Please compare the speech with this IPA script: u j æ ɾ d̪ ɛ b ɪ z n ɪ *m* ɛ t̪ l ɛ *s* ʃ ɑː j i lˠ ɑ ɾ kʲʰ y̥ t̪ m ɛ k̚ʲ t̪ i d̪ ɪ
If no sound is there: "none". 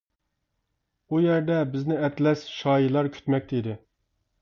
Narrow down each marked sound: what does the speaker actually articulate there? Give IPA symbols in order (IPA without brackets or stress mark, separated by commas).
none, s